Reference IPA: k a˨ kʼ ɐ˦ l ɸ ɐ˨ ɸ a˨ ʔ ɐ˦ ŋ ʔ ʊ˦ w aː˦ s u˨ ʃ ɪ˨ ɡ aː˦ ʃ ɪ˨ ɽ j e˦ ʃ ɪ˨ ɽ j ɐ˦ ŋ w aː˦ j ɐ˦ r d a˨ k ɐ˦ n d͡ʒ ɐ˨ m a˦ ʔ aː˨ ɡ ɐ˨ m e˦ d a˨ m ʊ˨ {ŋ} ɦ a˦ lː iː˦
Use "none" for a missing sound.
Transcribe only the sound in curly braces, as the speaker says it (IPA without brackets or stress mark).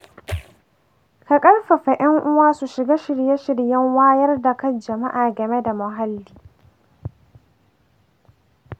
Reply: none